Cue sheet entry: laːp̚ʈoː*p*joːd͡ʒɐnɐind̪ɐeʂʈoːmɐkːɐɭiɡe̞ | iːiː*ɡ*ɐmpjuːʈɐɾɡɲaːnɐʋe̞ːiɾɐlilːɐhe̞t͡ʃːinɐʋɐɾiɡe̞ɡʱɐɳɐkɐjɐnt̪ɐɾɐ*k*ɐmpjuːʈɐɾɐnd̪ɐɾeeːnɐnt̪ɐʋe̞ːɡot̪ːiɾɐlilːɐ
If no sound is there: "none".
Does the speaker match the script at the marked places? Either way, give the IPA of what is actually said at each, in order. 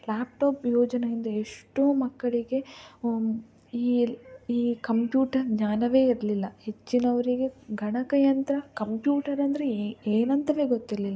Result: p, k, k

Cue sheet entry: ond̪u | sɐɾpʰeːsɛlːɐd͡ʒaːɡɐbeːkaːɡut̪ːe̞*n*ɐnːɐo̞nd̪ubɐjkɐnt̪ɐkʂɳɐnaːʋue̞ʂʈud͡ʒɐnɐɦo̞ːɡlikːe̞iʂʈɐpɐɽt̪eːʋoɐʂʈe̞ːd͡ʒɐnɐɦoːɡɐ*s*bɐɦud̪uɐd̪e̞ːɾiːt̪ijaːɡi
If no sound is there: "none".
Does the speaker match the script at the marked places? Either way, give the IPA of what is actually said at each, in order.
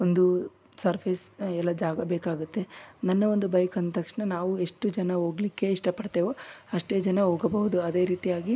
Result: n, none

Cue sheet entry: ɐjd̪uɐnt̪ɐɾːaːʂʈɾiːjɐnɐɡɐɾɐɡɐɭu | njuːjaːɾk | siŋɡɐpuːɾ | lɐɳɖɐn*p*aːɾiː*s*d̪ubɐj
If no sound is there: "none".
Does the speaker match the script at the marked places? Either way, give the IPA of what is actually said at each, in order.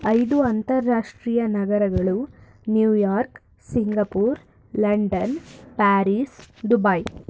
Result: p, s

